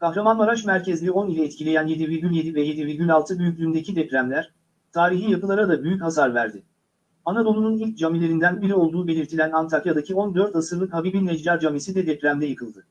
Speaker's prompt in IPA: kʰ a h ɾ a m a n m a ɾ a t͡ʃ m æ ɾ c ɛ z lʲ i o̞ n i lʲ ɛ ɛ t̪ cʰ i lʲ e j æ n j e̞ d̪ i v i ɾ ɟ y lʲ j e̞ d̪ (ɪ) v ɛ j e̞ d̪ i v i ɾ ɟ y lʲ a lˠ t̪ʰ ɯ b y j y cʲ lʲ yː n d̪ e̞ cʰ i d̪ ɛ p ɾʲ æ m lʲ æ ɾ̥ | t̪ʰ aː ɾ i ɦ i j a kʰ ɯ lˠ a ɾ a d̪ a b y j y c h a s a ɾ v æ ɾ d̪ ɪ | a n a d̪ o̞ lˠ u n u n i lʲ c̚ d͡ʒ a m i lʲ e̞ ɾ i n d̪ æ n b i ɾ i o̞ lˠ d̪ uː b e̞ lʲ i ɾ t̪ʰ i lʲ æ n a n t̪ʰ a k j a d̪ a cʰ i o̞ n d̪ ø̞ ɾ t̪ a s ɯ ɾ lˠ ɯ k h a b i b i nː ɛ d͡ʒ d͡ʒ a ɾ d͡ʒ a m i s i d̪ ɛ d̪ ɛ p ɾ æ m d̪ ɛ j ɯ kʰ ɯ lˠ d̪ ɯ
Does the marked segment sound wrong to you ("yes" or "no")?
yes